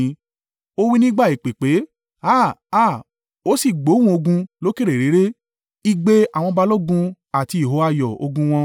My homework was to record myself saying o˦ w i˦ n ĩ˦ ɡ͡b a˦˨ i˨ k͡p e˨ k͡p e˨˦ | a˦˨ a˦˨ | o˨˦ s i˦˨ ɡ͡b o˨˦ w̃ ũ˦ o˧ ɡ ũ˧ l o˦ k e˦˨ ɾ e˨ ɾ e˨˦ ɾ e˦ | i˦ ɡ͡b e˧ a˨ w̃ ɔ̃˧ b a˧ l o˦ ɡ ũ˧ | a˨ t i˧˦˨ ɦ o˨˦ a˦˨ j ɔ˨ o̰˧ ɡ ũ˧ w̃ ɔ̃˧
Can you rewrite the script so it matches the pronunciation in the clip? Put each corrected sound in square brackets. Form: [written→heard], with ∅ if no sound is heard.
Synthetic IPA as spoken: o˦ w i˦ n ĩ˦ ɡ͡b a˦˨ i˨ k͡p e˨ k͡p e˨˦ | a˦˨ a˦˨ | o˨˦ s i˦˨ ɡ͡b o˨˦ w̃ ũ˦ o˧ ɡ ũ˧ l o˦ k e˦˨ ɾ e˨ ɾ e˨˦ ɾ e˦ | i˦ ɡ͡b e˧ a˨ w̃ ɔ̃˧ b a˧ l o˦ ɡ ũ˧ | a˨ t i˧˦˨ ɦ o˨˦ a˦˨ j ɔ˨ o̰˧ ɡ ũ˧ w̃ ɔ̃˧